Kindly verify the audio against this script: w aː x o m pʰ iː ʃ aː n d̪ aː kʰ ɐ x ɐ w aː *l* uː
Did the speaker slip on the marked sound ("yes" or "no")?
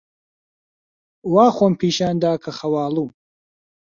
no